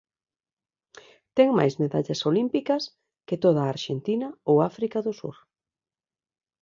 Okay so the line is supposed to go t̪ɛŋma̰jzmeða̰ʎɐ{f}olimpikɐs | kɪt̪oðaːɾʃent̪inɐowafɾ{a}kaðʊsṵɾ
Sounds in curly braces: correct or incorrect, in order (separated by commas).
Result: incorrect, incorrect